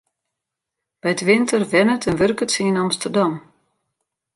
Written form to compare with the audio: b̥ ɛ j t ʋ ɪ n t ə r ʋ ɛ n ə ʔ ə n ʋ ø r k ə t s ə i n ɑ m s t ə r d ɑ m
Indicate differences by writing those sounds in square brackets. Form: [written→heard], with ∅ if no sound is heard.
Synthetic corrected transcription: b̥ ɛ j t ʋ ɪ n t ə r ʋ ɛ n ə [ʔ→t] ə n ʋ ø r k ə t s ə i n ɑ m s t ə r d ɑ m